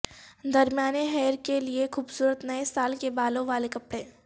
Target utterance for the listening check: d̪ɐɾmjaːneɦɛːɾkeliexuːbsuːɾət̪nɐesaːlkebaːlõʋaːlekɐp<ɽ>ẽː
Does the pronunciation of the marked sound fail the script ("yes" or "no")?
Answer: no